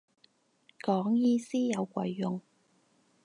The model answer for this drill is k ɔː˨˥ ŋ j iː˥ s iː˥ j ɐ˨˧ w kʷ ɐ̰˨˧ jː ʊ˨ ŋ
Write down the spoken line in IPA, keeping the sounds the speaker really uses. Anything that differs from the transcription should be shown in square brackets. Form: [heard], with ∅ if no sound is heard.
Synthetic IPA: k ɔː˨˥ ŋ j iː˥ s iː˥ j ɐ˨˧ w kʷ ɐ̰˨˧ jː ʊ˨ ŋ